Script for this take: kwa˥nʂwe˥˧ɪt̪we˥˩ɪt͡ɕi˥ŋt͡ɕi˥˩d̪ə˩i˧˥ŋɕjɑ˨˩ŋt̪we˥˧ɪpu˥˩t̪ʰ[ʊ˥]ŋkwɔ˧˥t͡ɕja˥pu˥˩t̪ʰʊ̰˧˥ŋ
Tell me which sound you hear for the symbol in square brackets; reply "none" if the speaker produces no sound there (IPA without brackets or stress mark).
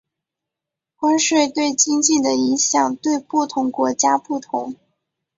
ʊ˧˥